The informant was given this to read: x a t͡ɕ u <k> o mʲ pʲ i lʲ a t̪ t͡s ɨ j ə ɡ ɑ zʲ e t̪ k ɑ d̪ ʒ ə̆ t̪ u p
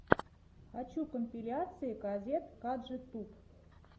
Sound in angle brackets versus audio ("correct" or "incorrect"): correct